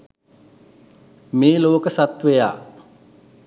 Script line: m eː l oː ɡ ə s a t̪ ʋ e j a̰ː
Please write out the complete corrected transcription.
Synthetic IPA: m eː l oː k ə s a t̪ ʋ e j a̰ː